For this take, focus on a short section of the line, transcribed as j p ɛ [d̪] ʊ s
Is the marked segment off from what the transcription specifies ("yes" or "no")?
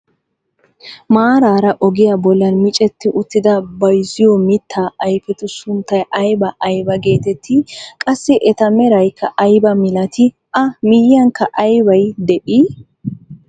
yes